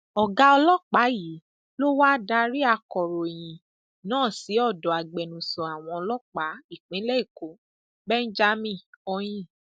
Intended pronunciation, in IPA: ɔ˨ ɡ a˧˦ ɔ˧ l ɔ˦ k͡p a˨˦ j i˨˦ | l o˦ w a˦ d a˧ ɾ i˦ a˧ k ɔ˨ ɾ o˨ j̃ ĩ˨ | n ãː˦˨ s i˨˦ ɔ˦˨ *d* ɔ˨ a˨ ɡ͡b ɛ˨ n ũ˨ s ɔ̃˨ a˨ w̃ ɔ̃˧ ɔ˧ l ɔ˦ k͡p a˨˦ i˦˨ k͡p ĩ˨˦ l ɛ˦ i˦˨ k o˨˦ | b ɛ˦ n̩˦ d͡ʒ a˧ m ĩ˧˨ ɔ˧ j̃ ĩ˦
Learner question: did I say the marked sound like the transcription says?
yes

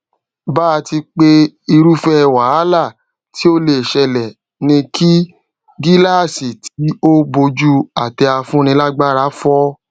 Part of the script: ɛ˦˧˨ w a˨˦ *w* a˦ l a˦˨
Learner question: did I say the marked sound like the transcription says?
no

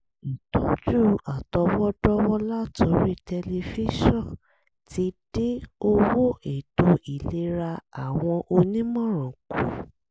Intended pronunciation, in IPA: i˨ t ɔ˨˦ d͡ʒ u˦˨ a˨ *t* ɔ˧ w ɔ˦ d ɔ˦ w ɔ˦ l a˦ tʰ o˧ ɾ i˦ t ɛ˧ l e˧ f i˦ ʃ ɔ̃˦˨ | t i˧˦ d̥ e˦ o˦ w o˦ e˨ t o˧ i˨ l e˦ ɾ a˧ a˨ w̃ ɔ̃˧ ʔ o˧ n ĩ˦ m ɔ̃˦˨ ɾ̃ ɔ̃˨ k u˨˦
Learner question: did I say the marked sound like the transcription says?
yes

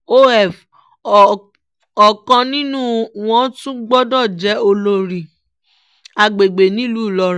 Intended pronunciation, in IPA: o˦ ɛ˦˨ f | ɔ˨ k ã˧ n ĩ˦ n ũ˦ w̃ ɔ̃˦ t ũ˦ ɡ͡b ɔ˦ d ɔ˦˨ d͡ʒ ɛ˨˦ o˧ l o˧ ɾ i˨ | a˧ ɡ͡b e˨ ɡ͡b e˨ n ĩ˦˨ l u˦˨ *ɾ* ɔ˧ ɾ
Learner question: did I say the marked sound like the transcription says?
no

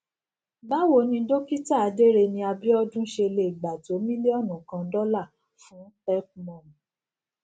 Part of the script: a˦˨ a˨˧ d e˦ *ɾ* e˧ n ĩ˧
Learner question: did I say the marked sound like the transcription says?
yes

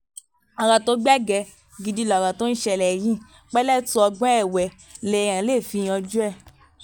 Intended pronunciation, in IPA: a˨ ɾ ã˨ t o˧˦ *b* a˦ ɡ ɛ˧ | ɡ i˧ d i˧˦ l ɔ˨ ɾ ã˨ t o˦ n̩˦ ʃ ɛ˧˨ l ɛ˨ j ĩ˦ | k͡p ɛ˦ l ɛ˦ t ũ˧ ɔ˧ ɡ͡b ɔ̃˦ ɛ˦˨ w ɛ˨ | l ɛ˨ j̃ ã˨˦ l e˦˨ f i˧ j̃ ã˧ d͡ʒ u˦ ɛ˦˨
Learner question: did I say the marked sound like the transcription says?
no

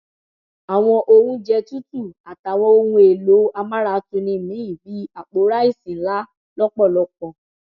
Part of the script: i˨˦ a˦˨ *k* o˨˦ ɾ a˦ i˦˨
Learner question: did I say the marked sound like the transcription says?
no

